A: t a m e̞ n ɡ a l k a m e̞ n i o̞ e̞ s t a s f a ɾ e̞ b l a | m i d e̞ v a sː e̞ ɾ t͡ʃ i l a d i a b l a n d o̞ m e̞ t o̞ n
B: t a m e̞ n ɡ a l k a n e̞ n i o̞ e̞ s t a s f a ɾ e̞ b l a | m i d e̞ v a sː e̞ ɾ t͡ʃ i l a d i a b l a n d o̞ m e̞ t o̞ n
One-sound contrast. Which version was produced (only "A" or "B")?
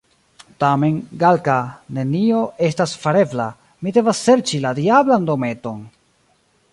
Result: B